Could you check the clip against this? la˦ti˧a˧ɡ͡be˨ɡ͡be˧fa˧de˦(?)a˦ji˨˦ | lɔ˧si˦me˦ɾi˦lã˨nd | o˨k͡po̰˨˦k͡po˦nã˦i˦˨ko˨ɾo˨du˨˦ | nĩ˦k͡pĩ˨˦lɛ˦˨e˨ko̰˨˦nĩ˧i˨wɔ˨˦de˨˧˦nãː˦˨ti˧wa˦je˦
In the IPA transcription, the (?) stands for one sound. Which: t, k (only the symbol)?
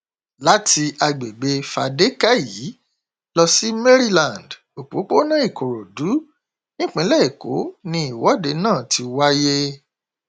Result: k